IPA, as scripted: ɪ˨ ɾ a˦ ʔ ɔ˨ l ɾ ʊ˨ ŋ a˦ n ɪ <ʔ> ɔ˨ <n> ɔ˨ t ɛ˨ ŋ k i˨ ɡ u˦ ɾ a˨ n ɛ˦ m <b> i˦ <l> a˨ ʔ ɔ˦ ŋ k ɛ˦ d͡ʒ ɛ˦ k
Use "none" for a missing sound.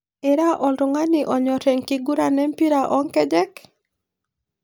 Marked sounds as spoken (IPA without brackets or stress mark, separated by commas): ʔ, ɲ, p, ɾ